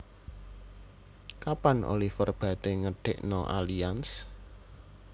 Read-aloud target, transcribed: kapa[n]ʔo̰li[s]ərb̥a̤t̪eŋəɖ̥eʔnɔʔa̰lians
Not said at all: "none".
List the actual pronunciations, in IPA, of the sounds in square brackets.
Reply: n, f

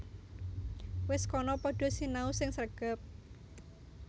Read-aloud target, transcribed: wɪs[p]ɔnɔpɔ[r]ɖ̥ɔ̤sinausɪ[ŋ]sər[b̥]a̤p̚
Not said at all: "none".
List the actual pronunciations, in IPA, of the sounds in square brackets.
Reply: k, none, ŋ, ɡ̥

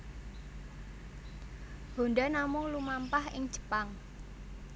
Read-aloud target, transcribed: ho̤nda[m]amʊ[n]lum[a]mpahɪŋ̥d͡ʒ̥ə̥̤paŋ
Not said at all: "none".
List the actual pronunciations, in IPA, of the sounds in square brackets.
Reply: n, ŋ, a

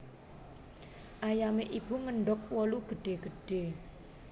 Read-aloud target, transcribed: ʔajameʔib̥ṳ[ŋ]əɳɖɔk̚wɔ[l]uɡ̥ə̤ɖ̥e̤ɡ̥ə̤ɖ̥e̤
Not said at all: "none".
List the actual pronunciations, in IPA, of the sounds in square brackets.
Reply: ŋ, l

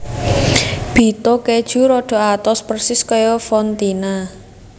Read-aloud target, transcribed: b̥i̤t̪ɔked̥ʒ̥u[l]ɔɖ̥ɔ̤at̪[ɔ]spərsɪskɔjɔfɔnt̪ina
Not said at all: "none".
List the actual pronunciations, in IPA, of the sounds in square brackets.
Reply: ɾ, ɔ

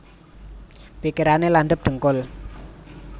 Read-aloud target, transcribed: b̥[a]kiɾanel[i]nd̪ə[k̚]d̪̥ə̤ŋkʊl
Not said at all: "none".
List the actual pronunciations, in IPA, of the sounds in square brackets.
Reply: i, a, p̚

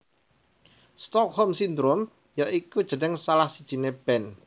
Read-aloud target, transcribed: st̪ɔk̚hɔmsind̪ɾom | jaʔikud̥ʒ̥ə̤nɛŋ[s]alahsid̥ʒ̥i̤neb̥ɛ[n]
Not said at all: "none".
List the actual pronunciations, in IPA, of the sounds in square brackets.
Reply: s, n

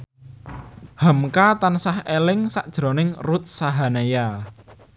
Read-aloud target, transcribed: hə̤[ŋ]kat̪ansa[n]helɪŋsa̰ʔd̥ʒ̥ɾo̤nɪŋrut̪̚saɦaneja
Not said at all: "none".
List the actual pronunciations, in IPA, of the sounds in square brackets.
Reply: m, none

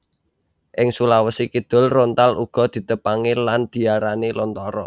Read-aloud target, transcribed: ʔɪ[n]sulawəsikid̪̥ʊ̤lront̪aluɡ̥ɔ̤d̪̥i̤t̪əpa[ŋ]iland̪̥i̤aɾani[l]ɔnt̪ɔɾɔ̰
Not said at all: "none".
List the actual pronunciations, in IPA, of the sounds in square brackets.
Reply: ŋ, ŋ, l

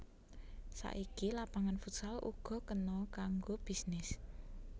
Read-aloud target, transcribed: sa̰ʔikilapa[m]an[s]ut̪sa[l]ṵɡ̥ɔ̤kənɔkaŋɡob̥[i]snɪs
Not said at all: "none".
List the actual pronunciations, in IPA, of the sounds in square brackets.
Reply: ŋ, f, l, i

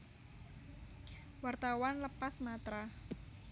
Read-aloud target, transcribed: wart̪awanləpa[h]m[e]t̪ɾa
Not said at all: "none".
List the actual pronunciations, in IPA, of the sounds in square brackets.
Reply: s, a

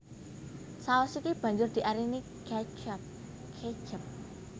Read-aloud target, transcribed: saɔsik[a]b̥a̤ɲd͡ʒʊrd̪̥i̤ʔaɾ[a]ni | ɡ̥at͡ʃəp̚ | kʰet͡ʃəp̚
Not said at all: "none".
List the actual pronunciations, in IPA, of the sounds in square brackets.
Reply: i, i

